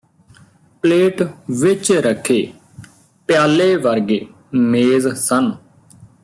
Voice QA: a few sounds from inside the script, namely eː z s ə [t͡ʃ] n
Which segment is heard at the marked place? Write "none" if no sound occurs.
none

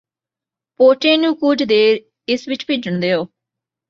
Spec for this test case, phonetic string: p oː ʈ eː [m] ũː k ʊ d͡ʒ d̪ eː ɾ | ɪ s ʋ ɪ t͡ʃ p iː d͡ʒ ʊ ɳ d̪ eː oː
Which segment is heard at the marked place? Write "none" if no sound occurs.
n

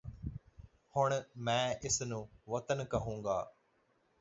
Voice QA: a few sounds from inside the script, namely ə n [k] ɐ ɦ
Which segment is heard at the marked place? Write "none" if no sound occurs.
k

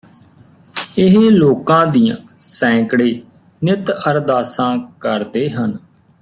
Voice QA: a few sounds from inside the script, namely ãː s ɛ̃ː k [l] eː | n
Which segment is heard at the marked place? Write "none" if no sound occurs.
ɽ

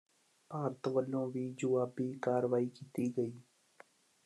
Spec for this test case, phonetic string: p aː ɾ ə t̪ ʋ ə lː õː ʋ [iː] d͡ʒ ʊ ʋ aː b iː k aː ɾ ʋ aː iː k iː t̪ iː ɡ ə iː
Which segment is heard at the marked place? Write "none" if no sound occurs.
iː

